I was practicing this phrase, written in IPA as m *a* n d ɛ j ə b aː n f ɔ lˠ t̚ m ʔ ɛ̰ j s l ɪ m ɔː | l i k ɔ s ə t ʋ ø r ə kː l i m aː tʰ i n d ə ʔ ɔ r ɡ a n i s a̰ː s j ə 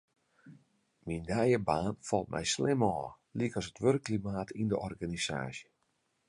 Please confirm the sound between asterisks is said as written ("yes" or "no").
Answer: no